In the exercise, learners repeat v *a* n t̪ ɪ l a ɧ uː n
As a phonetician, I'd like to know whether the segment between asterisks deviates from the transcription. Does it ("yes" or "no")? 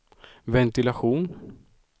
yes